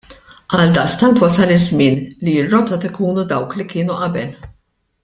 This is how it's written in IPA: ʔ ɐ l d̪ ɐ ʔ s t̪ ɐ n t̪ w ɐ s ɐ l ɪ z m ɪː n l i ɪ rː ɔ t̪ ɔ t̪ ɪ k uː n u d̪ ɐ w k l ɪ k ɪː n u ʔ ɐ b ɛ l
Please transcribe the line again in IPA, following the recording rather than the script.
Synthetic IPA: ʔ ɐ l d̪ ɐ ʔ s t̪ ɐ n t̪ w ɐ s ɐ l ɪ z m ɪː n l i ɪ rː ɔ t̪ ɔ t̪ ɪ k uː n u d̪ ɐ w k l i k ɪː n u ʔ ɐ b ɛ l